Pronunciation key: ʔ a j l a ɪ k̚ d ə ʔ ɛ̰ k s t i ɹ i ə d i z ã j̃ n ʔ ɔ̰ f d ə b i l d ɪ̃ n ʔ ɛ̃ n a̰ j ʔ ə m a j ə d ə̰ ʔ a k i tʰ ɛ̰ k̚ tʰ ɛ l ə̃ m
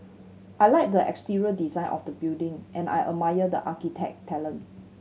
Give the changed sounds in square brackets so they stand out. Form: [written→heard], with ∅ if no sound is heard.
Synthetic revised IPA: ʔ a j l a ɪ k̚ d ə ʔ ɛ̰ k s t i ɹ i ə d i z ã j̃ n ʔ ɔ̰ f d ə b i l d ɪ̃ [n→ŋ] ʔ ɛ̃ n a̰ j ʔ ə m a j ə d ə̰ ʔ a k i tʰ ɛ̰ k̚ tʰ ɛ l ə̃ [m→n]